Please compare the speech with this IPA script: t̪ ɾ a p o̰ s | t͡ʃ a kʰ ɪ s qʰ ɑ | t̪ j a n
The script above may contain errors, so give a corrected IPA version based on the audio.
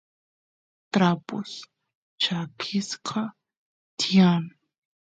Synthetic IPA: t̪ ɾ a p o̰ s | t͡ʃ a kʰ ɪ s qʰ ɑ | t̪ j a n